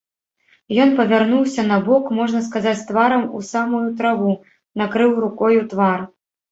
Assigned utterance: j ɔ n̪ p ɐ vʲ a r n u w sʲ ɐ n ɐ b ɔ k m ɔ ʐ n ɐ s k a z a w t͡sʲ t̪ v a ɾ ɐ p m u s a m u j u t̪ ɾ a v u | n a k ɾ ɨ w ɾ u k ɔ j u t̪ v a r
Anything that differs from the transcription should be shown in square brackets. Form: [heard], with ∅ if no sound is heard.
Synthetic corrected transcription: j ɔ n̪ p ɐ vʲ a r n u w sʲ ɐ n ɐ b ɔ k m ɔ ʐ n ɐ s k a z a [∅] t͡sʲ t̪ v a ɾ ɐ [∅] m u s a m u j u t̪ ɾ a v u | n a k ɾ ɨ w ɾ u k ɔ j u t̪ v a r

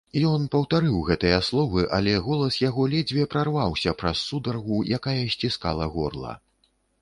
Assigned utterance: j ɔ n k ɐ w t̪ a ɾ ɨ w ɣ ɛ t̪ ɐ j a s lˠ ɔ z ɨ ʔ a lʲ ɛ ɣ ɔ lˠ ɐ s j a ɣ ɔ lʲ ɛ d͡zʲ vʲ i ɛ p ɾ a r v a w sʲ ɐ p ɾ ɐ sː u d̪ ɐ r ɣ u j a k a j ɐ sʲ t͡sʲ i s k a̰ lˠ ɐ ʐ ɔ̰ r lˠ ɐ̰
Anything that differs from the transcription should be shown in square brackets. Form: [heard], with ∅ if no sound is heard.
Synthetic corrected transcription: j ɔ n [p] ɐ w t̪ a ɾ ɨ w ɣ ɛ t̪ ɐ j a s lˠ ɔ [v] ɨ ʔ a lʲ ɛ ɣ ɔ lˠ ɐ s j a ɣ ɔ lʲ ɛ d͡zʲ vʲ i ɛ p ɾ a r v a w sʲ ɐ p ɾ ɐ sː u d̪ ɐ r ɣ u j a k a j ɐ sʲ t͡sʲ i s k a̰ lˠ ɐ [ɣ] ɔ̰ r lˠ ɐ̰

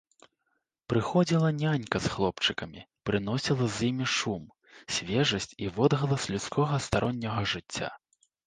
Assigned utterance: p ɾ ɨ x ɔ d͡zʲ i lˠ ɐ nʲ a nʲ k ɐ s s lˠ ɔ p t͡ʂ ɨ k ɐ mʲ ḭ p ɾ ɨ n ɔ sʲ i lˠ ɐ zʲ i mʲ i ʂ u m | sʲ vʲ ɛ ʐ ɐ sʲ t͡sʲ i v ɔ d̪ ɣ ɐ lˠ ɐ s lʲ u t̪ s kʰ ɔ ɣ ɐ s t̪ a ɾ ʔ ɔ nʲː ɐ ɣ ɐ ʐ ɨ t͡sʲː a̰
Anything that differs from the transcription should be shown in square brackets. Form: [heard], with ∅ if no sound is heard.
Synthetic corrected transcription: p ɾ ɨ x ɔ d͡zʲ i lˠ ɐ nʲ a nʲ k ɐ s [x] lˠ ɔ p t͡ʂ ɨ k ɐ mʲ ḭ p ɾ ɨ n ɔ sʲ i lˠ ɐ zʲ i mʲ i ʂ u m | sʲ vʲ ɛ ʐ ɐ sʲ t͡sʲ i v ɔ d̪ ɣ ɐ lˠ ɐ s lʲ u t̪ s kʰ ɔ ɣ ɐ s t̪ a ɾ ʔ ɔ nʲː ɐ ɣ ɐ ʐ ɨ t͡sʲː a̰

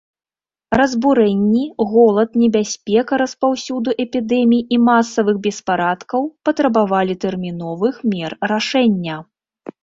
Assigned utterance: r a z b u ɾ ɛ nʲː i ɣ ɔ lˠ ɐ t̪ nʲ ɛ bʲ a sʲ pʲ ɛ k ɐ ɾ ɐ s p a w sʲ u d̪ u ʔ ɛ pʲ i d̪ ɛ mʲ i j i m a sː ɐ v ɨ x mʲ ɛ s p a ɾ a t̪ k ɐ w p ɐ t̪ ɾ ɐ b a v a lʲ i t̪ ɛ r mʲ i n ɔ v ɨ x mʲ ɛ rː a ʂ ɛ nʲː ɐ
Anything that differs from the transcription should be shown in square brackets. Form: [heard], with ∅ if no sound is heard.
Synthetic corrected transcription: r [ɐ] z b u ɾ ɛ nʲː i ɣ ɔ lˠ ɐ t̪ nʲ ɛ bʲ a sʲ pʲ ɛ k ɐ ɾ ɐ s p a w sʲ u d̪ u ʔ ɛ pʲ i d̪ ɛ mʲ i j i m a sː ɐ v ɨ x [bʲ] ɛ s p a ɾ a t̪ k ɐ w p ɐ t̪ ɾ ɐ b a v a lʲ i t̪ ɛ r mʲ i n ɔ v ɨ x mʲ ɛ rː a ʂ ɛ nʲː ɐ

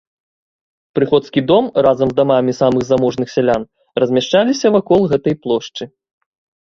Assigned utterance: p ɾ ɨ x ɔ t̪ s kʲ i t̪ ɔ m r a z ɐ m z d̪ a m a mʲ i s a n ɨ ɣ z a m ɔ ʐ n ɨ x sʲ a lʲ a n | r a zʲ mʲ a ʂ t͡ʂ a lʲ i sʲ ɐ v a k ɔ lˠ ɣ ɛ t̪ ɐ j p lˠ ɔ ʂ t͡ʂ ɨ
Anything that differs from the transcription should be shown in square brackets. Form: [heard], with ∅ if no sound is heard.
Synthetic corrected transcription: p ɾ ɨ x ɔ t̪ s kʲ i [d̪] ɔ m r a z ɐ m z d̪ a m a mʲ i s a [m] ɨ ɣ z a m ɔ ʐ n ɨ x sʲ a lʲ a n | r [ɐ] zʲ mʲ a ʂ t͡ʂ a lʲ i sʲ ɐ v a k ɔ lˠ ɣ ɛ t̪ ɐ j p lˠ ɔ ʂ t͡ʂ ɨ

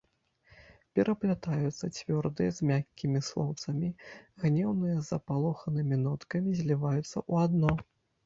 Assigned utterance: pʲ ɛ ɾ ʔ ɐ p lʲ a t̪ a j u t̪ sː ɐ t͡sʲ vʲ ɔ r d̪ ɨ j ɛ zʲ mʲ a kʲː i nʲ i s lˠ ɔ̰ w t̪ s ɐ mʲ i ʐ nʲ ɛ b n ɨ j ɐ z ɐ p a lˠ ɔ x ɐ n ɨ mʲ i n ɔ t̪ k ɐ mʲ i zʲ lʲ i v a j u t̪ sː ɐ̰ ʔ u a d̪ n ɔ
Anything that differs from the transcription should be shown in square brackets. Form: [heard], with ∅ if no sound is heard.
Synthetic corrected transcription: pʲ ɛ ɾ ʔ ɐ p lʲ a t̪ a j u t̪ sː ɐ t͡sʲ vʲ ɔ r d̪ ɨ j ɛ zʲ mʲ a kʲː i [mʲ] i s lˠ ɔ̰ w t̪ s ɐ mʲ i [ɣ] nʲ ɛ [w] n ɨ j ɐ z ɐ p a lˠ ɔ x ɐ n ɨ mʲ i n ɔ t̪ k ɐ mʲ i zʲ lʲ i v a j u t̪ sː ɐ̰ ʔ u a d̪ n ɔ

